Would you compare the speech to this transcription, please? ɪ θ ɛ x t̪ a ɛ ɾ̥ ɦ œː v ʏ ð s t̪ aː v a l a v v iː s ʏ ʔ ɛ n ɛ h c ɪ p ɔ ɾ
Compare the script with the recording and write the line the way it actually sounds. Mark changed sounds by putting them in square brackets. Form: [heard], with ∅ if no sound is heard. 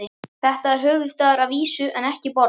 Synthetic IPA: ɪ θ ɛ [h] t̪ a ɛ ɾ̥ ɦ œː v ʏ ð s t̪ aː [ð] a [ɾ] a v v iː s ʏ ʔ ɛ n ɛ h c ɪ p ɔ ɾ